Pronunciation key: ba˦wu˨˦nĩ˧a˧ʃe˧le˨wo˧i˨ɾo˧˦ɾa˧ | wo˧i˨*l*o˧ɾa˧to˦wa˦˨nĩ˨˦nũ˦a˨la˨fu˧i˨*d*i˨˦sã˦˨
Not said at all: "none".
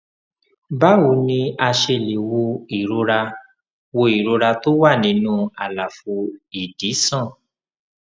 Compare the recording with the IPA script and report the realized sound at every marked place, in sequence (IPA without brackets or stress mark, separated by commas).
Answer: ɾ, d